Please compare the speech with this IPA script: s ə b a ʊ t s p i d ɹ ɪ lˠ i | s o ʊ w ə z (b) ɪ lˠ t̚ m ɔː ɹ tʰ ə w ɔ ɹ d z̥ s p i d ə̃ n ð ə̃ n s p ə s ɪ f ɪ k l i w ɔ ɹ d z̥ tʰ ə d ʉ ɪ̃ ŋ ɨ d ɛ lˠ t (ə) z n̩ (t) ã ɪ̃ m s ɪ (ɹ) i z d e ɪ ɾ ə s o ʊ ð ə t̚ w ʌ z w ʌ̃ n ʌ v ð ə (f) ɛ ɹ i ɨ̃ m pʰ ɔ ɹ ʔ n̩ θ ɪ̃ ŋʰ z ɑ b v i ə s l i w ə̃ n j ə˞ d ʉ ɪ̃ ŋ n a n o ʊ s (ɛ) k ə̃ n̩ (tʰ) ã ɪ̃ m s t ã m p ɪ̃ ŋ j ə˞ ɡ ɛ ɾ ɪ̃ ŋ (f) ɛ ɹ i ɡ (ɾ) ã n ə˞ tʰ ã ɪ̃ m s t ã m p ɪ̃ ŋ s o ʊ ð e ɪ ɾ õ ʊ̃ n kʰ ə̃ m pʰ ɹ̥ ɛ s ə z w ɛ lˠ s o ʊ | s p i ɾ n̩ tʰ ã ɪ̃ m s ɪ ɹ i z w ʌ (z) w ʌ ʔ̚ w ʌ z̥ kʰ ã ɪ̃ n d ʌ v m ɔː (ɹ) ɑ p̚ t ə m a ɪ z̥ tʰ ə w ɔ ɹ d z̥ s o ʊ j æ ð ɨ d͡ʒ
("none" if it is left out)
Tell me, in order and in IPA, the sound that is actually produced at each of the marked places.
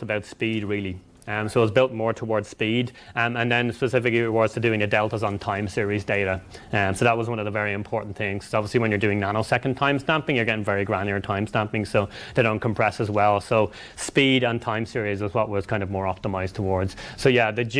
b, ə, tʰ, ɹ, v, ɛ, tʰ, v, ɹ, z, ɹ

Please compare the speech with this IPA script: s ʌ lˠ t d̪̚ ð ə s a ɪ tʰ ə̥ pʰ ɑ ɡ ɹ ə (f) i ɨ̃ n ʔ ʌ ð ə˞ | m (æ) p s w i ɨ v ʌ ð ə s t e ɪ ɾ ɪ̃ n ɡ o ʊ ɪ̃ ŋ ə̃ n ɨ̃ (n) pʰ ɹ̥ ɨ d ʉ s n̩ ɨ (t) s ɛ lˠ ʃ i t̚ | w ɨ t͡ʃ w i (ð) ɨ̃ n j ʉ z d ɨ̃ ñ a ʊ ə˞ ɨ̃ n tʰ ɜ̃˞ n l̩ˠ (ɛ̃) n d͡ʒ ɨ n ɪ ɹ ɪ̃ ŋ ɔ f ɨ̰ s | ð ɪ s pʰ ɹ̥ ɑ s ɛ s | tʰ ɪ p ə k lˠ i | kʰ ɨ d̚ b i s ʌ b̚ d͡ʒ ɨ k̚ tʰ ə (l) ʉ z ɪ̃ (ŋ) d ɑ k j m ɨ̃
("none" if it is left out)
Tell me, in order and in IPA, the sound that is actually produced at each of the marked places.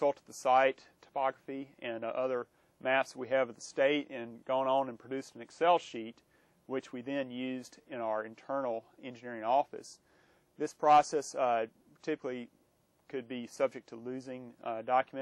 f, æ, n, k, ð, ɛ̃, l, ŋ

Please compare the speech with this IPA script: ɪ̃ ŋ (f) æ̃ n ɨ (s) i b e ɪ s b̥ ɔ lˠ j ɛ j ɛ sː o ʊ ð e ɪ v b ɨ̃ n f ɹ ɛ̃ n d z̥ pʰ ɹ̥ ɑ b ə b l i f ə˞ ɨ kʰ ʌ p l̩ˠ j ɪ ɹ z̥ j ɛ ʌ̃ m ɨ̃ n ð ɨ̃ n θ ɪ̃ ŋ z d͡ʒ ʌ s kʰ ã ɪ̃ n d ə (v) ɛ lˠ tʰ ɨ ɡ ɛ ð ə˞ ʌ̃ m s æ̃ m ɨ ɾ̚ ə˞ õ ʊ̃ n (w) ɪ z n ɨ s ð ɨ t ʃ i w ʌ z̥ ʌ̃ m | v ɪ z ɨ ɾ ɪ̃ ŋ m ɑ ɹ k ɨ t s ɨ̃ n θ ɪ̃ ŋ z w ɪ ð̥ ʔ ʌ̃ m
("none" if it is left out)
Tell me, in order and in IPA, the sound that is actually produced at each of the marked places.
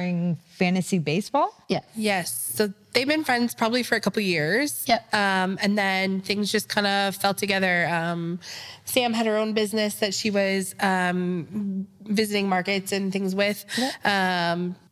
f, s, f, b

